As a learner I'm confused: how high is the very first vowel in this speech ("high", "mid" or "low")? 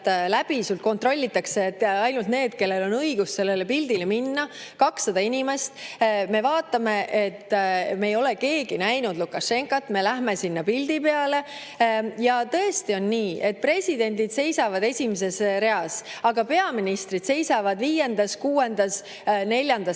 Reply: low